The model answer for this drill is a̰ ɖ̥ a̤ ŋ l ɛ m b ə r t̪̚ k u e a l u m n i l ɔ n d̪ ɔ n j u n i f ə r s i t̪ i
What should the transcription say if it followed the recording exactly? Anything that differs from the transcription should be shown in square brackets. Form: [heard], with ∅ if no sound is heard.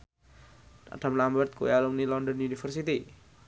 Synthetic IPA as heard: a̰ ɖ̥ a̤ [m] l [a] m b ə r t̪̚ k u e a l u m n i l ɔ n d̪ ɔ n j u n i f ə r s i t̪ i